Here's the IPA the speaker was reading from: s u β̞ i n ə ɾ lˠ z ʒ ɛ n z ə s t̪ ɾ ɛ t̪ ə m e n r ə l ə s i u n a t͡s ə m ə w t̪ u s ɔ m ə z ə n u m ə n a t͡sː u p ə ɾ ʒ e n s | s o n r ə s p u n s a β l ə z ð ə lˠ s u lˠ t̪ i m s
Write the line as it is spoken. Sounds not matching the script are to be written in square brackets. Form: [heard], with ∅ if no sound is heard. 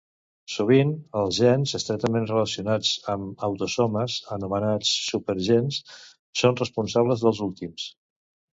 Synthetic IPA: s u β̞ i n ə [∅] lˠ z ʒ ɛ n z ə s t̪ ɾ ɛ t̪ ə m e n r ə l ə s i u n a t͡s ə m ə w t̪ u s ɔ m ə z ə n u m ə n a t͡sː u p ə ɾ ʒ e n s | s o n r ə s p u n s a β l ə z ð ə lˠ [z] u lˠ t̪ i m s

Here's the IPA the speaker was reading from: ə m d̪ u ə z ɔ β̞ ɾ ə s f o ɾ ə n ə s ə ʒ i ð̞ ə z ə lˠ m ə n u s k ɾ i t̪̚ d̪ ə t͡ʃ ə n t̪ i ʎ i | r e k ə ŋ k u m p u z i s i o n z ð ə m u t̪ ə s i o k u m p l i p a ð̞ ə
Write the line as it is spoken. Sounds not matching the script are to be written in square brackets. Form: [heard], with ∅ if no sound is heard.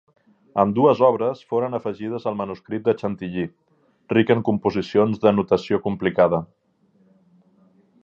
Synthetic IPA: ə m d̪ u ə z ɔ β̞ ɾ ə s f o ɾ ə n ə [f] ə ʒ i ð̞ ə z ə lˠ m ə n u s k ɾ i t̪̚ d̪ ə t͡ʃ ə n t̪ i ʎ i | r [i] k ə ŋ k u m p u z i s i o n z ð ə [n] u t̪ ə s i o k u m p l i [k] a ð̞ ə

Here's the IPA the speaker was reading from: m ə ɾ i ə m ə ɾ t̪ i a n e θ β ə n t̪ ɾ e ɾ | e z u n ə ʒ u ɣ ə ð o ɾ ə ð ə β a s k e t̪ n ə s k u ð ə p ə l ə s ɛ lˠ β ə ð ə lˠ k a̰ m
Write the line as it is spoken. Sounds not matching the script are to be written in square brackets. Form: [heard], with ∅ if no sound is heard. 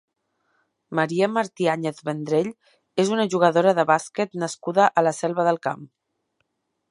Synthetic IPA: m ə ɾ i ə m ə ɾ t̪ i a [ɲ] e θ β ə n [d̪] ɾ e [ʎ] | e z u n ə ʒ u ɣ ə ð o ɾ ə ð ə β a s k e t̪ n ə s k u ð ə [ʔ] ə l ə s ɛ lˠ β ə ð ə lˠ k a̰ m

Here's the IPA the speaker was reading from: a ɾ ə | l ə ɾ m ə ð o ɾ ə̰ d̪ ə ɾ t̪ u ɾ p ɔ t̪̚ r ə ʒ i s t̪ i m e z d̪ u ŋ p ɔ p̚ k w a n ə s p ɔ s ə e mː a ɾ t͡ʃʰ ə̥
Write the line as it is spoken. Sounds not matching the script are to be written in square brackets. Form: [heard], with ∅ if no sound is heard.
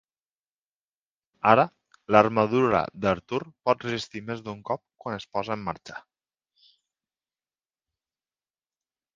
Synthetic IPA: a ɾ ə | l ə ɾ m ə ð [u] ɾ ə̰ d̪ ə ɾ t̪ u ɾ p ɔ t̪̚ r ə [z] i s t̪ i m e z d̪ u ŋ [k] ɔ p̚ k w a n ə s p ɔ [z] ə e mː a ɾ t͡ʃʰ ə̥

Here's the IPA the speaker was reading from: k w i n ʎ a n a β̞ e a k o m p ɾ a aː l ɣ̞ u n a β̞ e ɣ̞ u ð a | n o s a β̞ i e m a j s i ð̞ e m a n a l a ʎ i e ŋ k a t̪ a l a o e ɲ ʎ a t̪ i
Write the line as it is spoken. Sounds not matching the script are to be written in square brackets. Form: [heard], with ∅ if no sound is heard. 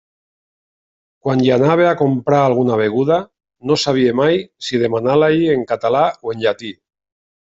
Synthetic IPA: k w [a] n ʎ a n a β̞ e a k o m p ɾ a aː l ɣ̞ u n a β̞ e ɣ̞ u ð a | n o s a β̞ i e m a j s i ð̞ e m a n a l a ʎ i e ŋ k a t̪ a l a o e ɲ ʎ a t̪ i

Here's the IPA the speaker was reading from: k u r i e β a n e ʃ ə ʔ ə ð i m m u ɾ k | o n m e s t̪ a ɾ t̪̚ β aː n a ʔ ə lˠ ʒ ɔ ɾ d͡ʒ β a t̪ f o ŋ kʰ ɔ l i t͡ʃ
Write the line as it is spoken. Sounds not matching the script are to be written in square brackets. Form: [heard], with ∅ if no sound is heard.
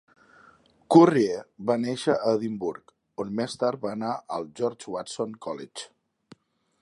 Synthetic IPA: k u r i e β a n e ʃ ə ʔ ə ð i m [b] u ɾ k | o n m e s t̪ a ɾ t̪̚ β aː n a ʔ ə lˠ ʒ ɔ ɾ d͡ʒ [w] a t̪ [s] o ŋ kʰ ɔ l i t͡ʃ

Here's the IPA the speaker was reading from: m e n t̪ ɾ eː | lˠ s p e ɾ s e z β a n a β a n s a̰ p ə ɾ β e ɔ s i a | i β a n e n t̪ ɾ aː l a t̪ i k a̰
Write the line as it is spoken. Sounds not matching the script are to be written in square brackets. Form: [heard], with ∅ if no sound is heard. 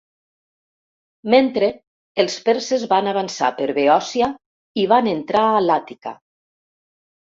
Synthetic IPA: m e n t̪ ɾ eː | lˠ s p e ɾ s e z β a n a β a n s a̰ p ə ɾ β e ɔ s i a | i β a n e n t̪ ɾ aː l a t̪ i k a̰

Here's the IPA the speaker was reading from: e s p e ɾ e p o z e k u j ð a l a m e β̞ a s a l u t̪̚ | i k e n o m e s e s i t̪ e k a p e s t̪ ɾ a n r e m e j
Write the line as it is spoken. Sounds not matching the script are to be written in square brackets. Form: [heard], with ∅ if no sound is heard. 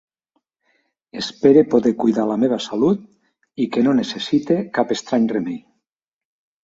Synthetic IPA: e s p e ɾ e p o [ð] e k u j ð a l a m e β̞ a s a l u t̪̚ | i k e n o [n] e s e s i t̪ e k a p e s t̪ ɾ a [ɲ] r e m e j

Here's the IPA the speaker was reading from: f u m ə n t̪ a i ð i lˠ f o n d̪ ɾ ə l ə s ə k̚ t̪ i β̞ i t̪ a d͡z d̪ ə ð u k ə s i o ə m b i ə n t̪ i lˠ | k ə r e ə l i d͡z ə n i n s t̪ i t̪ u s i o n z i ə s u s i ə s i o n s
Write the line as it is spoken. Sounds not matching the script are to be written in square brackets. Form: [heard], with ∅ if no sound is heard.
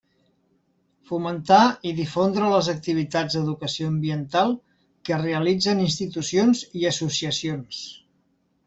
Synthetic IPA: f u m ə n t̪ a i ð i [∅] f o n d̪ ɾ ə l ə [z] ə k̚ t̪ i β̞ i t̪ a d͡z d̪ ə ð u k ə s i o ə m b i ə n t̪ [a] lˠ | k ə r e ə l i d͡z ə n i n s t̪ i t̪ u s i o n z i ə s u s i ə s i o n s

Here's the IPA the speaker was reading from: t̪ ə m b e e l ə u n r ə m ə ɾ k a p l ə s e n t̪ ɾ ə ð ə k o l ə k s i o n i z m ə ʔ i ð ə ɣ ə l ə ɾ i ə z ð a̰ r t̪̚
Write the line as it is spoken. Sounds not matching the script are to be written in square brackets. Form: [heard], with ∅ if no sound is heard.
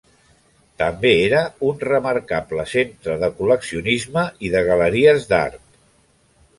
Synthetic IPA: t̪ ə m b e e [ɾ] ə u n r ə m ə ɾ k a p l ə s e n t̪ ɾ ə ð ə k [u] l ə k s i [u] n i z m ə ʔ i ð ə ɣ ə l ə ɾ i ə z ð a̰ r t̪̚

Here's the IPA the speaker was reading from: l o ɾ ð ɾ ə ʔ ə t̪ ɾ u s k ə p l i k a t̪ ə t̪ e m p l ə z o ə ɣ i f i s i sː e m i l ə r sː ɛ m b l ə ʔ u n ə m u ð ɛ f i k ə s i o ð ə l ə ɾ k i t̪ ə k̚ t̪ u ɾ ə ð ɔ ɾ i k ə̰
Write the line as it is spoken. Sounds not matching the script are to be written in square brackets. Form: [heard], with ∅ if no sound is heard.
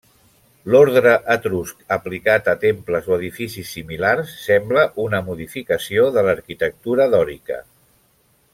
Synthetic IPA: l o ɾ ð ɾ ə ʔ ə t̪ ɾ u s k ə p l i k a t̪ ə t̪ e m p l ə z o ə [ð] i f i s i sː [i] m i l [a] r sː ɛ m b l ə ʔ u n ə m u ð [i] f i k ə s i o ð ə l ə ɾ k i t̪ ə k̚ t̪ u ɾ ə ð ɔ ɾ i k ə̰

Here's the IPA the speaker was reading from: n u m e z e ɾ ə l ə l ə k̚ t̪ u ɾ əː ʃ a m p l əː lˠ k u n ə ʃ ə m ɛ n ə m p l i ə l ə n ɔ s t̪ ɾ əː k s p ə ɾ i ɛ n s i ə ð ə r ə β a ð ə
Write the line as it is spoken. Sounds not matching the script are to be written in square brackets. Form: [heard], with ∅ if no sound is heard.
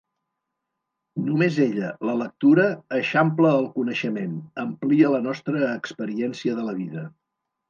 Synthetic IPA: n u m e z e [ʎ] ə l ə l ə k̚ t̪ u ɾ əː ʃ a m p l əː lˠ k u n ə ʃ ə m [e] n ə m p l i ə l ə n ɔ s t̪ ɾ əː k s p ə ɾ i ɛ n s i ə ð ə [l] ə β [i] ð ə

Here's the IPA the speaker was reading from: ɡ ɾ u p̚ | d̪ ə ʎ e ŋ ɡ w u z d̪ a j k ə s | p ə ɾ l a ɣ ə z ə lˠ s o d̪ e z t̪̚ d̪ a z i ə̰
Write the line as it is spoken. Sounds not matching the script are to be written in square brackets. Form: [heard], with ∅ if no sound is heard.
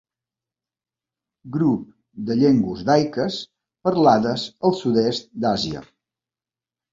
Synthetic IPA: ɡ ɾ u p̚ | d̪ ə ʎ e ŋ ɡ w u z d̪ a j k ə s | p ə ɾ l a [ð] ə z ə lˠ s [u] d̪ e [s] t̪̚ d̪ a z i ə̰

